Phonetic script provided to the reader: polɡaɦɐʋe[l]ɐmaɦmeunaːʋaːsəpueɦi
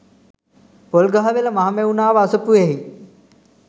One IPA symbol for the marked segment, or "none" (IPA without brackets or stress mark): l